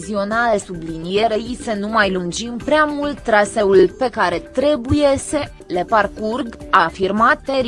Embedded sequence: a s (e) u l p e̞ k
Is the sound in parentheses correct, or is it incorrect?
correct